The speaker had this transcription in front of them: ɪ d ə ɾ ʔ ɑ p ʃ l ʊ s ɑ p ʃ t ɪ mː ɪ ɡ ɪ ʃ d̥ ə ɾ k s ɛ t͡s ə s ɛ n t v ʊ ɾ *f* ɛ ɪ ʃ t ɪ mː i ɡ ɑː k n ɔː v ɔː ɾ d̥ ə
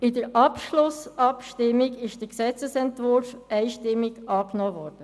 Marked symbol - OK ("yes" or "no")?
yes